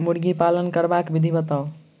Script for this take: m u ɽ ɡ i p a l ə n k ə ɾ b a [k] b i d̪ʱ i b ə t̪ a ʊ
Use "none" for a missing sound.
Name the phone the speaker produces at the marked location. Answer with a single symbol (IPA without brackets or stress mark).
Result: k